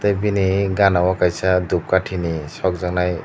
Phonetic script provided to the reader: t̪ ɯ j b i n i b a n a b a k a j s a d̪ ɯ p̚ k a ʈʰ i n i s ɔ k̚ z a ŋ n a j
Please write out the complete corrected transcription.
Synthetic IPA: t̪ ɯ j b i n i ɡ a n a w a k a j s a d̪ u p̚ k a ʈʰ i n i s ɔ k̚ z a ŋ n a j